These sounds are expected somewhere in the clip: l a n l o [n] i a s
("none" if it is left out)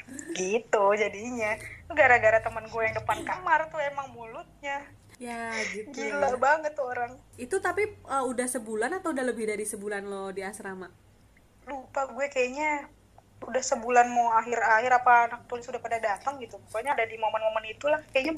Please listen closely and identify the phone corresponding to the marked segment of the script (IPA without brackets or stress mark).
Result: d